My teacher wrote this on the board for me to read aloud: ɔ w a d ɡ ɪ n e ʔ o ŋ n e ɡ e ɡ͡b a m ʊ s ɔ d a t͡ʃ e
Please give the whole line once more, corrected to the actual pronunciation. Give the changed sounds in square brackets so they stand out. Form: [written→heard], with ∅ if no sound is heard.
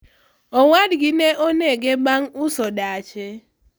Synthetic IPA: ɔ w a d ɡ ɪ n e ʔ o [ŋ→∅] n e ɡ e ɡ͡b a [m→ŋ] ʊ s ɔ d a t͡ʃ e